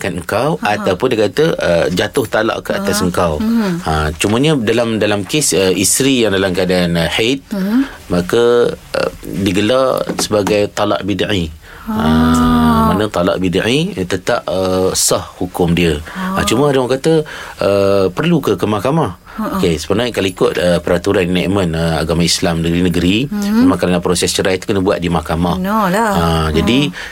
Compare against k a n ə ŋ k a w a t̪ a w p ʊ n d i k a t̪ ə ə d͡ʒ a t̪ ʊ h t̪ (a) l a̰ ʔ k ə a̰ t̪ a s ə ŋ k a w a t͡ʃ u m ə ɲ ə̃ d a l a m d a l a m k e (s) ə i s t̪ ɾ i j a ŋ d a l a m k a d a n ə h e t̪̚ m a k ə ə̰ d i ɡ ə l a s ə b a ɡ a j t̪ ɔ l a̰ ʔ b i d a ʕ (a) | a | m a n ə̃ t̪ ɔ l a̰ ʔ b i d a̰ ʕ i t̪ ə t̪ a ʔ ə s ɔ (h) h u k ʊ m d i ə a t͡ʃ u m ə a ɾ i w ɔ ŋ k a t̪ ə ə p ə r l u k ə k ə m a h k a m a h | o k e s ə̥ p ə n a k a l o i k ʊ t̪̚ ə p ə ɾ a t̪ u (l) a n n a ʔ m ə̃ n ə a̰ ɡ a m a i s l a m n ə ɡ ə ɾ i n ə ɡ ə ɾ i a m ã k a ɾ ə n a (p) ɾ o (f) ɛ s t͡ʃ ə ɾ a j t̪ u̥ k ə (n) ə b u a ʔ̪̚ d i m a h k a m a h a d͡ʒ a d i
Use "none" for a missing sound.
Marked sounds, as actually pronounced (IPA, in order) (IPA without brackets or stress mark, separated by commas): a, s, i, h, ɾ, p, s, n